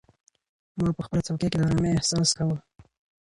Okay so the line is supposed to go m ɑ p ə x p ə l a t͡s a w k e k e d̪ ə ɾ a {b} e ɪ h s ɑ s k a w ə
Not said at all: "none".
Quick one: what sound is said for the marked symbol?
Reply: m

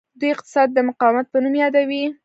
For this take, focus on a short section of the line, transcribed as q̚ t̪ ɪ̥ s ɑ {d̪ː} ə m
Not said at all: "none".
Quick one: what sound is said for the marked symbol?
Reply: d̪ː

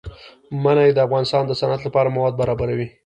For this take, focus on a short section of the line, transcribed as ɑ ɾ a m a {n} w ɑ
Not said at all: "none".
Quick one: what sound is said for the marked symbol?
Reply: none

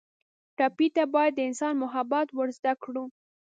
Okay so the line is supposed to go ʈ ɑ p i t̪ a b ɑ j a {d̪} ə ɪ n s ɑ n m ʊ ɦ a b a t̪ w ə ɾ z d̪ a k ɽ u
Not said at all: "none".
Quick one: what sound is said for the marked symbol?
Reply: d̪ː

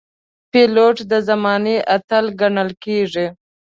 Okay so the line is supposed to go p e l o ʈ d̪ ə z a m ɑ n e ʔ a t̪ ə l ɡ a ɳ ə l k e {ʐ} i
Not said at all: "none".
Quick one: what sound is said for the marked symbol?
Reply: ʐ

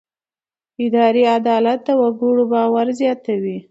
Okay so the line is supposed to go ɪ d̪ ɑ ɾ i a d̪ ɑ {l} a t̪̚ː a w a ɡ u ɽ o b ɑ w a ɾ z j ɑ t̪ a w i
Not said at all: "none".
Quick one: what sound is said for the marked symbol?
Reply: l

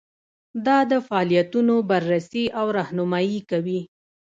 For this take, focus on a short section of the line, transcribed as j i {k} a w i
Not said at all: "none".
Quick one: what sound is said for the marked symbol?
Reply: k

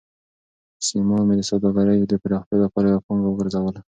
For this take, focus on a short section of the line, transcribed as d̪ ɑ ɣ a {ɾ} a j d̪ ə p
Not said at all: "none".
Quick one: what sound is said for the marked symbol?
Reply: ɾ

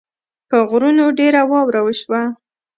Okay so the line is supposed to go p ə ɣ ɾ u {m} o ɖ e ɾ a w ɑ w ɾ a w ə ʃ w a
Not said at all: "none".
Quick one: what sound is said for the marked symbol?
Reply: n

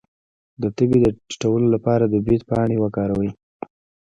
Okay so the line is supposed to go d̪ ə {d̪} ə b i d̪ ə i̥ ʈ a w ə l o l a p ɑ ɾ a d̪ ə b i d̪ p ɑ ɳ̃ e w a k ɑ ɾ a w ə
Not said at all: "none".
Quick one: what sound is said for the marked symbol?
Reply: t̪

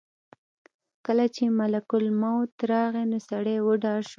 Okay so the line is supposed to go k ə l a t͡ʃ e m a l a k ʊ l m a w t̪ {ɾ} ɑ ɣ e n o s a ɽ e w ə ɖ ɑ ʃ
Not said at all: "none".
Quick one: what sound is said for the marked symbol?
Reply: ɾ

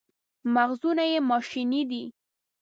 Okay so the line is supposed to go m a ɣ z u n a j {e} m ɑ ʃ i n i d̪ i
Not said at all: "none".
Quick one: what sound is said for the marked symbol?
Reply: e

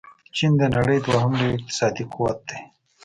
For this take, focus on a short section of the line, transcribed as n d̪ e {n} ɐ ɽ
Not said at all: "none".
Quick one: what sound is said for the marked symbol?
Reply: n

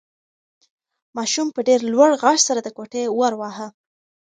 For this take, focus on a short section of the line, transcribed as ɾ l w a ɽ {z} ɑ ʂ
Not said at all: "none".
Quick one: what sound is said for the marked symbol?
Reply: ɣ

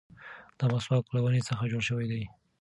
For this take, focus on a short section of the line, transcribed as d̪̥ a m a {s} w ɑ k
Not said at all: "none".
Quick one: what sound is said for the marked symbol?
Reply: s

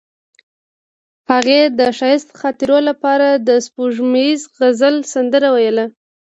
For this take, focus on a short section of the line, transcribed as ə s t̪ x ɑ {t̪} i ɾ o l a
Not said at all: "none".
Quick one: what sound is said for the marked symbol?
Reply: t̪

